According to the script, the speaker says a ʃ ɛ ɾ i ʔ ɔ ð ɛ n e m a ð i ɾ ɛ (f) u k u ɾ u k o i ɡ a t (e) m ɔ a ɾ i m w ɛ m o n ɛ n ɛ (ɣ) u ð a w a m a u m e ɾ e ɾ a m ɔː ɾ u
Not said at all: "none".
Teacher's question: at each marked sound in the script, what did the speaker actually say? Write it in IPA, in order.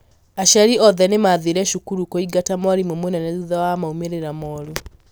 ʃ, a, ð

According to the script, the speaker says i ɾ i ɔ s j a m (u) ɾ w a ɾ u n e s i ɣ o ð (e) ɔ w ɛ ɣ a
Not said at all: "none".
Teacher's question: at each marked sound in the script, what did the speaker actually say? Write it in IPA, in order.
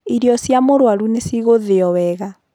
o, e

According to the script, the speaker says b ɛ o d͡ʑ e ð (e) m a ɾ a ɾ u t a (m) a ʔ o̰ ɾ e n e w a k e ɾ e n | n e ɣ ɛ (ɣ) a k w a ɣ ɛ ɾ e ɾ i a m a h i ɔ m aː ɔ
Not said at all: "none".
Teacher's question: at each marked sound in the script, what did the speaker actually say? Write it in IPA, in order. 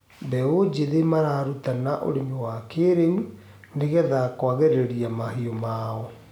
e, n, ð

